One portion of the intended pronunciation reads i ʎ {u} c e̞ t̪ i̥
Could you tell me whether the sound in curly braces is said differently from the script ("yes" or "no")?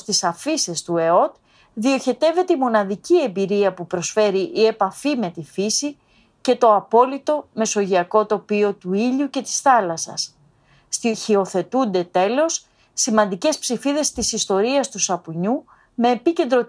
no